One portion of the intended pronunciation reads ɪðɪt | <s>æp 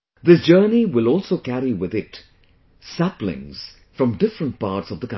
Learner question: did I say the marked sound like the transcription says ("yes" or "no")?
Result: yes